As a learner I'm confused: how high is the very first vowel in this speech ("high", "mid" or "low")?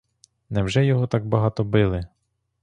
mid